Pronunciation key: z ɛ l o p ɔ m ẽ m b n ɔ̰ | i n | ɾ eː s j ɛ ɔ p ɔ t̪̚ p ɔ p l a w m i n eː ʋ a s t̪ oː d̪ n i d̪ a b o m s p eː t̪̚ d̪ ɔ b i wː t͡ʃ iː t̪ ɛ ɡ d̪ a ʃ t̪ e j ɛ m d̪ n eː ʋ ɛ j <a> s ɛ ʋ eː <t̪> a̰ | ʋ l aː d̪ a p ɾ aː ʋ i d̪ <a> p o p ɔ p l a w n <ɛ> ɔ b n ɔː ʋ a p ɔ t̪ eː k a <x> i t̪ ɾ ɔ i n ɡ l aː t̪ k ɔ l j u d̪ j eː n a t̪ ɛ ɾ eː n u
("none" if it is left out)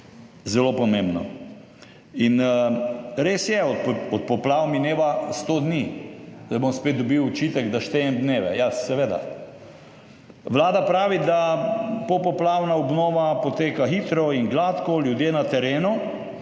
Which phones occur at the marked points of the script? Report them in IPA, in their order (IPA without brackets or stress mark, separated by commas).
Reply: a, d̪, a, a, x